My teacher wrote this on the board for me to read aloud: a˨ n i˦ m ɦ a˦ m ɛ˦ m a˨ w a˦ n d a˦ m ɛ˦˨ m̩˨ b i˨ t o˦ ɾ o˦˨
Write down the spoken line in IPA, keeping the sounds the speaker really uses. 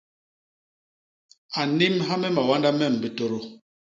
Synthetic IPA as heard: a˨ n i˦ m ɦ a˦ m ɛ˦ m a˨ w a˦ n d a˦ m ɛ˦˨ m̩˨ b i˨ t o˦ ɾ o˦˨